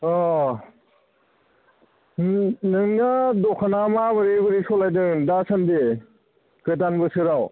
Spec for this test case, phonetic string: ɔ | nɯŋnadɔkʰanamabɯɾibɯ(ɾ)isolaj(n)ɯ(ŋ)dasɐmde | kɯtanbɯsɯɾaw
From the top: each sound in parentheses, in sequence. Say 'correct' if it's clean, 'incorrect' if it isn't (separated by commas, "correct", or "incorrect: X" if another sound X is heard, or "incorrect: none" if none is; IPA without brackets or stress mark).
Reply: correct, incorrect: d, correct